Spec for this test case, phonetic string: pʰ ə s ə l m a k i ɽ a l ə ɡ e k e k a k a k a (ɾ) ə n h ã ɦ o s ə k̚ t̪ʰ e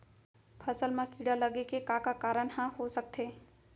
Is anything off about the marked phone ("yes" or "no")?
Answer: no